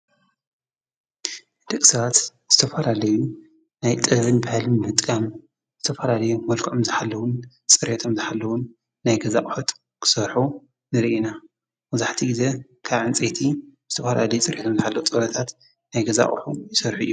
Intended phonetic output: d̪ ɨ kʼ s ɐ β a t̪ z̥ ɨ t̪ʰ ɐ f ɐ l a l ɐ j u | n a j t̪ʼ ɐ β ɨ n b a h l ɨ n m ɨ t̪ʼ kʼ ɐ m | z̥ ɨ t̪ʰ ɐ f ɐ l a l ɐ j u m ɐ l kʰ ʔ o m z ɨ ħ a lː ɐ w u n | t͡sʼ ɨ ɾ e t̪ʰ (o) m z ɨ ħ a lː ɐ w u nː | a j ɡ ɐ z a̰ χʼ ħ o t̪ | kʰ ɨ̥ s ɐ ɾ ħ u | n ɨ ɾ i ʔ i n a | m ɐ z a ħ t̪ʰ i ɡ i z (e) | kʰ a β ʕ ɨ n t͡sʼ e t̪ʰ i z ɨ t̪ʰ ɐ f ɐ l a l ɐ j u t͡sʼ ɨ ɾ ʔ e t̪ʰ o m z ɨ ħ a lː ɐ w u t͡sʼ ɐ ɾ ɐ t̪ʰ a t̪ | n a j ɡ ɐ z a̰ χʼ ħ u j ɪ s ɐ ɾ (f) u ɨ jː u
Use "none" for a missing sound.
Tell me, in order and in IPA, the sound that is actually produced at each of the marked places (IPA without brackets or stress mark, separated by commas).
o, e, ħ